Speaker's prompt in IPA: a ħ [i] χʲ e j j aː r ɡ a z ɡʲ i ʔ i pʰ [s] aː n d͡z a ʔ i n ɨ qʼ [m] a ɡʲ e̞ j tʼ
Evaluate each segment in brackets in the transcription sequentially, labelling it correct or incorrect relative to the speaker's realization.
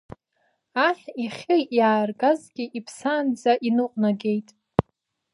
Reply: correct, correct, incorrect: n

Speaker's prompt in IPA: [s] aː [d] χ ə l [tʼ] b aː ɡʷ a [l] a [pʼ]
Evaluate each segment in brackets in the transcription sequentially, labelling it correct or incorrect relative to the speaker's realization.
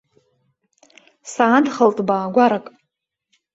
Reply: correct, correct, correct, incorrect: ɾ, incorrect: kʼ

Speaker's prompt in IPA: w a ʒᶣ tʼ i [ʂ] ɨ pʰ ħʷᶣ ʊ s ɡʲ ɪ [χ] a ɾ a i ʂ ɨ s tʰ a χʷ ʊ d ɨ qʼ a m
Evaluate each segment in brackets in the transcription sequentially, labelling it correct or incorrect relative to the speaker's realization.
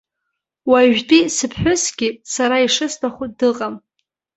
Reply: incorrect: s, incorrect: s

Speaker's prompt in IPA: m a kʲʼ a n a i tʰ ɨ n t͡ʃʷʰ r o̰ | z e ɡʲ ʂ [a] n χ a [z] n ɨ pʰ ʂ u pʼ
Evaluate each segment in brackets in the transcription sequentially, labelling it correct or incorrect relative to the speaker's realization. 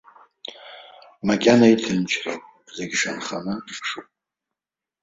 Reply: correct, incorrect: none

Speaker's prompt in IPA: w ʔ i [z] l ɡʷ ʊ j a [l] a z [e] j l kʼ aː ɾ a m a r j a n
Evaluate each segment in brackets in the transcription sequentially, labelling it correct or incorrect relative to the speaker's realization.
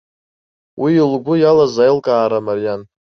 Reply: incorrect: none, correct, incorrect: a

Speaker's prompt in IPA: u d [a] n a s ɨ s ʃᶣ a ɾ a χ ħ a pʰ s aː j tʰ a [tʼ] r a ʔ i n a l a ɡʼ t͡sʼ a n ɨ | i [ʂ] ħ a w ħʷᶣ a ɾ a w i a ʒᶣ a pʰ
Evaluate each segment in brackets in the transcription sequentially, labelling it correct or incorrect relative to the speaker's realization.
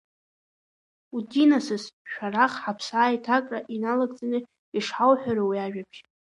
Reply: incorrect: i, incorrect: kʼ, correct

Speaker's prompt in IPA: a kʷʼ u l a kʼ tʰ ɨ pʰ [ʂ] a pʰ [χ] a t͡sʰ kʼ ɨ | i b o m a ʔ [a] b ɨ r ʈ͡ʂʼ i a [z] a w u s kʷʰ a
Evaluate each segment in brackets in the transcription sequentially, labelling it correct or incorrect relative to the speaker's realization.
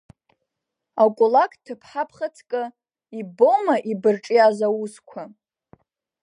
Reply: incorrect: ħ, correct, incorrect: i, correct

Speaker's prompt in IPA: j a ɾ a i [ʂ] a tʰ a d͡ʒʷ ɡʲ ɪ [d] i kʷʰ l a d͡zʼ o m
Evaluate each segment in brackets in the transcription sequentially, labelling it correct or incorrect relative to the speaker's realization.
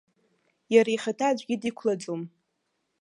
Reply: incorrect: χ, correct

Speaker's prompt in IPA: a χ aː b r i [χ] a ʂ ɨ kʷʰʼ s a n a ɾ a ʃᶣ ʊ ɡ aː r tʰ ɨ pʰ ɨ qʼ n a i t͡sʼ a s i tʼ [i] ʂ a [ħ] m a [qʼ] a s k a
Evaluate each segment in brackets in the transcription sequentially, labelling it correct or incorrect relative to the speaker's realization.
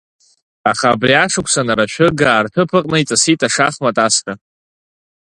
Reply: incorrect: none, incorrect: a, incorrect: χ, incorrect: tʼ

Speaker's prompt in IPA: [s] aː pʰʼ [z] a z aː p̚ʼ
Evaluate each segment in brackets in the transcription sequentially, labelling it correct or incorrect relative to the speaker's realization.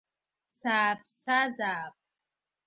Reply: correct, incorrect: s

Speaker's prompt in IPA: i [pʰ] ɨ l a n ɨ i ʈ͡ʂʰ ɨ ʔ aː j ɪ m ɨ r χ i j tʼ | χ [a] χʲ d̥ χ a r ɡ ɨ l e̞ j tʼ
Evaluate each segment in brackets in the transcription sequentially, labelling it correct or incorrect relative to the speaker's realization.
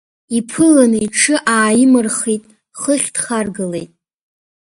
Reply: correct, incorrect: ə

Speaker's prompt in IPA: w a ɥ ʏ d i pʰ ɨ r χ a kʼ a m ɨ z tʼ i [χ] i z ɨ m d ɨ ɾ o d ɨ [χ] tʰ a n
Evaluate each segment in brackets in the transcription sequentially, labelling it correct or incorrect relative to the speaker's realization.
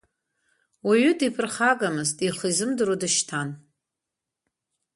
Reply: correct, incorrect: ʃ

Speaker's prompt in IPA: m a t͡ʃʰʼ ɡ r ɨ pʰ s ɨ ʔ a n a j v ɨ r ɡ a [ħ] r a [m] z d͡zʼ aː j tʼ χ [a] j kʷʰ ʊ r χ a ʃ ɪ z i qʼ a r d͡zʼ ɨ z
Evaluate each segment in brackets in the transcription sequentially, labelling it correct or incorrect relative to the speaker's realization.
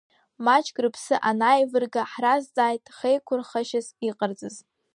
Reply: correct, incorrect: none, incorrect: e

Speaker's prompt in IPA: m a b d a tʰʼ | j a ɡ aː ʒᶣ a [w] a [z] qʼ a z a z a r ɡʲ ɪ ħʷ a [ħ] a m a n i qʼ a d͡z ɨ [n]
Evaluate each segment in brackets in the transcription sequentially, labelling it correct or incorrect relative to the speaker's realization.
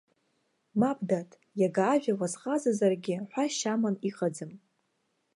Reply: correct, correct, incorrect: ʃ, incorrect: m

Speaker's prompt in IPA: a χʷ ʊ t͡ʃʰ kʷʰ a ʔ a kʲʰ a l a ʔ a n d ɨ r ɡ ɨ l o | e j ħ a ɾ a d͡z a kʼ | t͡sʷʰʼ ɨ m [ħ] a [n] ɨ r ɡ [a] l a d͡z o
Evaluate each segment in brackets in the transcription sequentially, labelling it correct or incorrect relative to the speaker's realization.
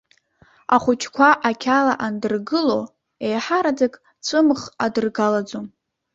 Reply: incorrect: χ, incorrect: d, correct

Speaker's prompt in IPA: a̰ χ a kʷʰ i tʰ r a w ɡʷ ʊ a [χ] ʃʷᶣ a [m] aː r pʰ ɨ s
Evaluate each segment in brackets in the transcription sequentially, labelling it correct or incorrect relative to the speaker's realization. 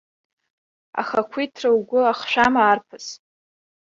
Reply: correct, correct

